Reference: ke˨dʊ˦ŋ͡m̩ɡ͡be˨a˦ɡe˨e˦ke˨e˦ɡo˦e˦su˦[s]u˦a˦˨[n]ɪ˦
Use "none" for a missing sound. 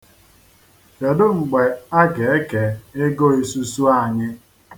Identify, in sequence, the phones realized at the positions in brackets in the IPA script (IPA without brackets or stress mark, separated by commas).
s, ɲ